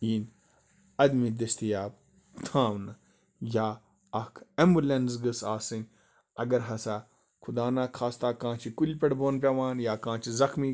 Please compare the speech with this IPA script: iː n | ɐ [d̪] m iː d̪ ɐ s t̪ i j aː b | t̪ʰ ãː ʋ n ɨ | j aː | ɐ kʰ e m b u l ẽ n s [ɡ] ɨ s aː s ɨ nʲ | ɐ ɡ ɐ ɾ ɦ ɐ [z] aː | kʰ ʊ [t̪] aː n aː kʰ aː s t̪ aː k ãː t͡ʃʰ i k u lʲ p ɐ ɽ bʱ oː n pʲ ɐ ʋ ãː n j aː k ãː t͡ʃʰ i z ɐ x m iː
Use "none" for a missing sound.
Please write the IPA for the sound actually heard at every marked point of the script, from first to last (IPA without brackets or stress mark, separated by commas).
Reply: d̪, ɡ, s, d̪